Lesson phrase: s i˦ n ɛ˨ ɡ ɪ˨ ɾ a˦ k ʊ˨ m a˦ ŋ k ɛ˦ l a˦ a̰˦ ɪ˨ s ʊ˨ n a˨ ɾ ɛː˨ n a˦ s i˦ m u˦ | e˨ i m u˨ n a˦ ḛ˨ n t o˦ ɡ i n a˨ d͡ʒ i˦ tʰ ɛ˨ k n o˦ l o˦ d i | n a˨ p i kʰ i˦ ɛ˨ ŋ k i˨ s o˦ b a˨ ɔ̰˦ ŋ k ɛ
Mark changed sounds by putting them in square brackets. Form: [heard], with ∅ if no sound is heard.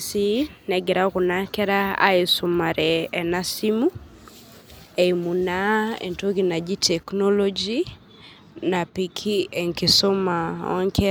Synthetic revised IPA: s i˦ n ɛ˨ ɡ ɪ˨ ɾ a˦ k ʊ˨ [n] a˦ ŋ k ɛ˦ [ɾ] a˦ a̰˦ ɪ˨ s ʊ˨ [m] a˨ ɾ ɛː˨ n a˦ s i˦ m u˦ | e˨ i m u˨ n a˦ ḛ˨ n t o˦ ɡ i n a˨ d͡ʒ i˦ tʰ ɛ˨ k n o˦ l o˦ [d͡ʒ] i | n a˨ p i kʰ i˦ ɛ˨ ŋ k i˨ s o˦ [m] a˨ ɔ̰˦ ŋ k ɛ